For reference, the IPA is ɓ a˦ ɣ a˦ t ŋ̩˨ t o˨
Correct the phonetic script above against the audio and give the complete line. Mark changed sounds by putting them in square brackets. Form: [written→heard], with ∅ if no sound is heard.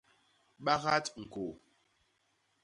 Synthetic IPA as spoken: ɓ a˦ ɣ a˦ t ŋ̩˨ [t→k] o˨